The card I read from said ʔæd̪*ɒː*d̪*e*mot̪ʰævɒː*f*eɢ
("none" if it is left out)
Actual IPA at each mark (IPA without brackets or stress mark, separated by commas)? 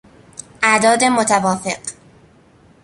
ɒː, e, f